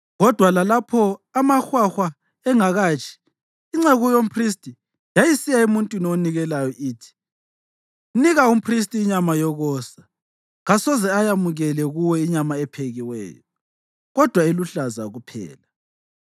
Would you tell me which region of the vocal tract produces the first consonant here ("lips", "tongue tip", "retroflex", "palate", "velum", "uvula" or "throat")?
velum